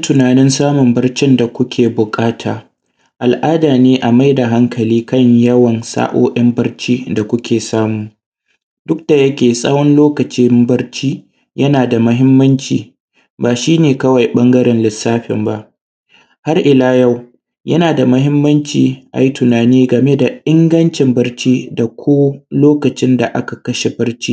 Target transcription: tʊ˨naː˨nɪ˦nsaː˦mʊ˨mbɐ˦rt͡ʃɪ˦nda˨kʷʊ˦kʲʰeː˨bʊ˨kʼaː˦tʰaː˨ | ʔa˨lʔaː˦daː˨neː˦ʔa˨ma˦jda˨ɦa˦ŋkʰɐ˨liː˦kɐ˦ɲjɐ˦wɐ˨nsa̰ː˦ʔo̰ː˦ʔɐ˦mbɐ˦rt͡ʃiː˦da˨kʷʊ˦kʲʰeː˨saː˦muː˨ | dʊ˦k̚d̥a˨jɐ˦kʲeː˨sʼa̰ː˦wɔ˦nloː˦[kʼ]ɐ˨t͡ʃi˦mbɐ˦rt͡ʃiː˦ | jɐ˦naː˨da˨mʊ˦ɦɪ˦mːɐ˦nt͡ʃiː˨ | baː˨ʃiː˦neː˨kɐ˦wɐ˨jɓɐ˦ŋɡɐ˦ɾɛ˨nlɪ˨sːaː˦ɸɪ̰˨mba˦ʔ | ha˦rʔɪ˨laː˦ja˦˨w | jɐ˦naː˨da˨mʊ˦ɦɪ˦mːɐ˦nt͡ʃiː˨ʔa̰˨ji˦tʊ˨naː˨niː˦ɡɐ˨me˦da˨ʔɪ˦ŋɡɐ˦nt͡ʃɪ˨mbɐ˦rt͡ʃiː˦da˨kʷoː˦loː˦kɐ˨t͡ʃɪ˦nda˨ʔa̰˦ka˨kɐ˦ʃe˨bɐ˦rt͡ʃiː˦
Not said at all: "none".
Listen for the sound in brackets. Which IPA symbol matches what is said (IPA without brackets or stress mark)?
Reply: k